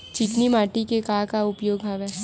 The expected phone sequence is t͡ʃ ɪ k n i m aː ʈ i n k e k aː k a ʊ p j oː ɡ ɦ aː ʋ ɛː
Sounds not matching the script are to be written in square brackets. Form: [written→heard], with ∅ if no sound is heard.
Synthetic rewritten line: t͡ʃ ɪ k n i m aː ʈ i [n→∅] k e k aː k a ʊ p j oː ɡ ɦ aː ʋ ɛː